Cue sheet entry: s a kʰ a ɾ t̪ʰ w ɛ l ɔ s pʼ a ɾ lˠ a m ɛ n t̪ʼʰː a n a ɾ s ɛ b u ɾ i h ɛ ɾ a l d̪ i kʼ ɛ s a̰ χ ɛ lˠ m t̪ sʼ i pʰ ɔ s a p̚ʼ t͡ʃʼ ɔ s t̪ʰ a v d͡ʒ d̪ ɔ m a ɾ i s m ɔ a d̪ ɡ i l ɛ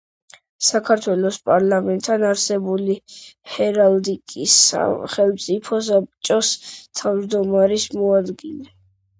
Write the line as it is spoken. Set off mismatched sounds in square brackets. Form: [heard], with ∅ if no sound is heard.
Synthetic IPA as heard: s a kʰ a ɾ t̪ʰ w ɛ l ɔ s pʼ a ɾ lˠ a m ɛ n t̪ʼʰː a n a ɾ s ɛ b u [l] i h ɛ ɾ a l d̪ i kʼ [i] s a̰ χ ɛ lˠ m t̪ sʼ i pʰ ɔ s a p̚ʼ t͡ʃʼ ɔ s t̪ʰ a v d͡ʒ d̪ ɔ m a ɾ i s m ɔ a d̪ ɡ i l ɛ